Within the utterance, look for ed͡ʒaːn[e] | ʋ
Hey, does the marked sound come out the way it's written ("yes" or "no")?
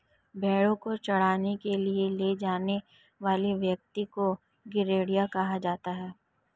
yes